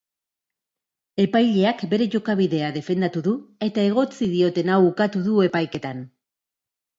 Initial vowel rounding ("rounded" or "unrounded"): unrounded